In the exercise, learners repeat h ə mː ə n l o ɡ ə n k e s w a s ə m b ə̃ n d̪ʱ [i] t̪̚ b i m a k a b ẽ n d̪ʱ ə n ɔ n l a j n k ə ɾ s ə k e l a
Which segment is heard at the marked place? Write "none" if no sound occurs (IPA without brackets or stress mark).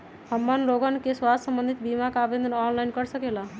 i